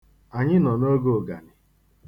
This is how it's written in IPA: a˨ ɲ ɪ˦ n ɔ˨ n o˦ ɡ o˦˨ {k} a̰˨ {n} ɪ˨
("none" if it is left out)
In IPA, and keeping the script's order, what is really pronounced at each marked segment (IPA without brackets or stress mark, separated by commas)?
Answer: ɡ, n